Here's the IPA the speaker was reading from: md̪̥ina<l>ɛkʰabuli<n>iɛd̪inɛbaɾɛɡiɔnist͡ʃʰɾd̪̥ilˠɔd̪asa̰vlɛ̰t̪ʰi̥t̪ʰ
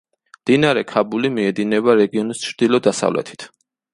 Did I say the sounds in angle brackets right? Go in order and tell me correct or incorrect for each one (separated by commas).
incorrect, incorrect